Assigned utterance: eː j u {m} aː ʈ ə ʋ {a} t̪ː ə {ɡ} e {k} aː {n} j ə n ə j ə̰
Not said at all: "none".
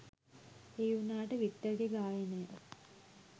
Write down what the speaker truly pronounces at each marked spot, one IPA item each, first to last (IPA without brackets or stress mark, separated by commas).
n, i, ɡ, ɡ, none